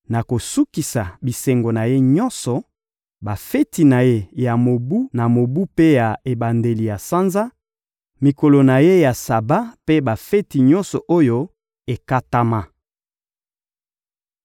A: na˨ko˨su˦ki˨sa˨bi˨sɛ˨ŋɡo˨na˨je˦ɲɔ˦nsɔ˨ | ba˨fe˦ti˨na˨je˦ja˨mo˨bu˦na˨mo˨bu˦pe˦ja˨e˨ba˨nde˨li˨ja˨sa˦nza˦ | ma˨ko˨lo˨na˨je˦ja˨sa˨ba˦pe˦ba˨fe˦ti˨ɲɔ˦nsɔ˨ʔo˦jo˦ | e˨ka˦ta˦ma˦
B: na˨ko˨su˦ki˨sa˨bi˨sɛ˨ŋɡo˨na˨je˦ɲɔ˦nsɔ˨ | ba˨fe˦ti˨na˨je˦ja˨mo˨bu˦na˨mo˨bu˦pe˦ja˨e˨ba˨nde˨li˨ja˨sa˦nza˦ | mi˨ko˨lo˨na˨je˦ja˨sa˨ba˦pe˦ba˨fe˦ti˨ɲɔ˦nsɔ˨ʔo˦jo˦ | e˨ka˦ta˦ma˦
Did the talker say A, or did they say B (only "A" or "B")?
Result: B